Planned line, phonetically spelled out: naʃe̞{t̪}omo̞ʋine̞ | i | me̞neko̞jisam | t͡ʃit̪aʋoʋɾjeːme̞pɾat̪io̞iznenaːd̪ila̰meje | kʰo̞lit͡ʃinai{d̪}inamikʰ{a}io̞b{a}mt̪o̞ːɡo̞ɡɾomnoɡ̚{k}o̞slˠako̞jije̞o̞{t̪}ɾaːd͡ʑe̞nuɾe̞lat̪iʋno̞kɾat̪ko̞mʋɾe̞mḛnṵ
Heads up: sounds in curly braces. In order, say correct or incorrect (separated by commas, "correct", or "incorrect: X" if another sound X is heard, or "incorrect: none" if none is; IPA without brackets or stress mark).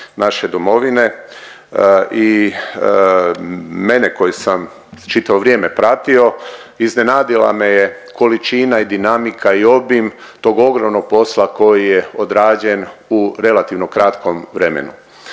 incorrect: d̪, correct, correct, incorrect: i, incorrect: p, incorrect: d̪